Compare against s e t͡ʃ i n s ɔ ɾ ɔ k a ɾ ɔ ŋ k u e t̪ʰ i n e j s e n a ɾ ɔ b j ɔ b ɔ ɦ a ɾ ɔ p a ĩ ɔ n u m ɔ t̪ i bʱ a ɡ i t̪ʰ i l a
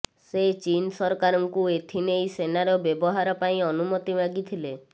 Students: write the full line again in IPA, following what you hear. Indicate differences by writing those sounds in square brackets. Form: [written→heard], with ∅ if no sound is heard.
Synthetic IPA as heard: s e t͡ʃ i n s ɔ ɾ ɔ k a ɾ ɔ ŋ k u e t̪ʰ i n e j s e n a ɾ ɔ b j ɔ b ɔ ɦ a ɾ ɔ p a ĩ ɔ n u m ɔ t̪ i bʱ a ɡ i t̪ʰ i l [a→e]